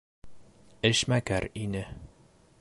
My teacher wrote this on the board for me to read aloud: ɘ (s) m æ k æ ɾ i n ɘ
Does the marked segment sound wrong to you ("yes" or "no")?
yes